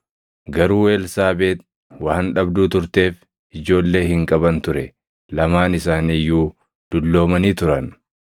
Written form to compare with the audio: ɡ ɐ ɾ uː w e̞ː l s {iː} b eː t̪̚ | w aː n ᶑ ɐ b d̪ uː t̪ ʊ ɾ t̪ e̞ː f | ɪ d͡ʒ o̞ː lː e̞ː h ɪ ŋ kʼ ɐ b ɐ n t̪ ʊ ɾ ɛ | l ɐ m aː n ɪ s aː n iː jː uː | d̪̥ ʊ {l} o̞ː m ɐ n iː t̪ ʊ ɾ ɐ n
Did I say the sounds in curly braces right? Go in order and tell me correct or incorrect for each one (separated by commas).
incorrect, incorrect